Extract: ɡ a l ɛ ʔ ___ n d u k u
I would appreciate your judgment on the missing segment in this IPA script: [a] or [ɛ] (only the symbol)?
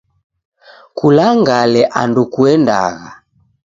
a